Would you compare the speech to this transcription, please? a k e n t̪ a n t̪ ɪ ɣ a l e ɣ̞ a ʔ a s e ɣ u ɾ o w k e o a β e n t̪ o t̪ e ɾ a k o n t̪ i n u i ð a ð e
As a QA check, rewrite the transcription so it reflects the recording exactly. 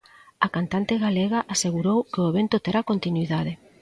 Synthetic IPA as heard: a k a n t̪ a n t̪ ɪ ɣ a l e ɣ̞ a ʔ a s e ɣ u ɾ o w k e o e β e n t̪ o t̪ e ɾ a k o n t̪ i n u i ð a ð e